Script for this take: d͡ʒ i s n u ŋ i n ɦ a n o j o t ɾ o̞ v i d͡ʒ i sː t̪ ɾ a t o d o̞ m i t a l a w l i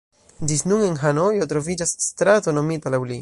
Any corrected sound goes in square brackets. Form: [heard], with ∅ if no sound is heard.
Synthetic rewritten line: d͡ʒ i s n u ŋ [e] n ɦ a n o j o t ɾ o̞ v i d͡ʒ [a] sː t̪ ɾ a t o [n] o̞ m i t a l a w l i